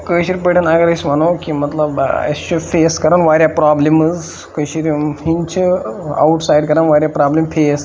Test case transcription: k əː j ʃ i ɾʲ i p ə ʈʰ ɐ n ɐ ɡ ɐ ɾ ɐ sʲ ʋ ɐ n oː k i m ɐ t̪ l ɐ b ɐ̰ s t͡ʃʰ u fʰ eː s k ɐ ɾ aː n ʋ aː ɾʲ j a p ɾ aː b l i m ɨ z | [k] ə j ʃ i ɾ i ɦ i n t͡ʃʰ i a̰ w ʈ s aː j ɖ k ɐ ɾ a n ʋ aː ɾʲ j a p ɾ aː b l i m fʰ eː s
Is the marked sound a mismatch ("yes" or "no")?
no